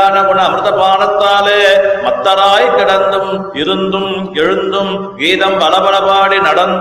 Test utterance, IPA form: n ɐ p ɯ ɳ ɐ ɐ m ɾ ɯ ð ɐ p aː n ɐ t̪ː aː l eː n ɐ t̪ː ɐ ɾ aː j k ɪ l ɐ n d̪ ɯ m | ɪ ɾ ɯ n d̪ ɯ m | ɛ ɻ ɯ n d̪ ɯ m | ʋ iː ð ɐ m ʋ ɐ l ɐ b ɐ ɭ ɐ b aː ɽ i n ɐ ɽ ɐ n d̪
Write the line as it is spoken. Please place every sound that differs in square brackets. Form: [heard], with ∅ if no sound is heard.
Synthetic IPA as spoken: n ɐ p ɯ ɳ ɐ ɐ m ɾ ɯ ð ɐ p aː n ɐ t̪ː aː l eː [m] ɐ t̪ː ɐ ɾ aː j k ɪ [ɽ] ɐ n d̪ ɯ m | ɪ ɾ ɯ n d̪ ɯ m | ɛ ɻ ɯ n d̪ ɯ m | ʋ iː ð ɐ m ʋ ɐ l ɐ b ɐ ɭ ɐ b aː ɽ i n ɐ ɽ ɐ n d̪